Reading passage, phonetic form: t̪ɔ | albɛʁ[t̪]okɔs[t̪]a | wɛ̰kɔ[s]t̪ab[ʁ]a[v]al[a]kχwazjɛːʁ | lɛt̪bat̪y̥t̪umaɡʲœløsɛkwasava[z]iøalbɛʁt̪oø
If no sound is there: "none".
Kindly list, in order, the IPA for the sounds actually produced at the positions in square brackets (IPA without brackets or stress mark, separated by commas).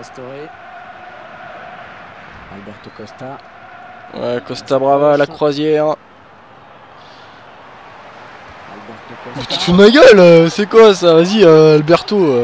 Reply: t̪, t̪, s, ʁ, v, a, z